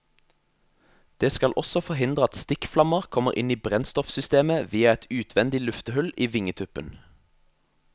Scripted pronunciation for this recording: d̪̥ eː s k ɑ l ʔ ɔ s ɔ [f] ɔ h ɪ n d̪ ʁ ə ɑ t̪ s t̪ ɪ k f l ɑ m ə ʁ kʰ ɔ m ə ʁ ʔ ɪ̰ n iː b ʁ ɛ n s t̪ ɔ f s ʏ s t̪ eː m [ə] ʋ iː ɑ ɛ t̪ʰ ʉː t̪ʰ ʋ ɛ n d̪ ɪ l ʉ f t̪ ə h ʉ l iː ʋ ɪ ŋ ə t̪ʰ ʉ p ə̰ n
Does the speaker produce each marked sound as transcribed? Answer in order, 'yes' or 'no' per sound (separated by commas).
yes, yes